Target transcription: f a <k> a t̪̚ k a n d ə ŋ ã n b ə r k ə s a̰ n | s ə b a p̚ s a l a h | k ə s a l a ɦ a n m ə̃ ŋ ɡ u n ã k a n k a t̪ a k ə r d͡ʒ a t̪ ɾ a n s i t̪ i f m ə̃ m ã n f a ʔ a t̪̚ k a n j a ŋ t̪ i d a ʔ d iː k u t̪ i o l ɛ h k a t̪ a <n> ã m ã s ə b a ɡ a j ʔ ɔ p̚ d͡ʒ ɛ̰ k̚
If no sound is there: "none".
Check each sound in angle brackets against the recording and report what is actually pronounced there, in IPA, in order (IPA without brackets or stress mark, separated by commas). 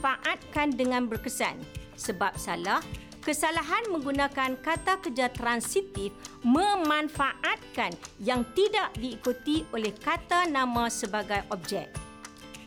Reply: ʔ, n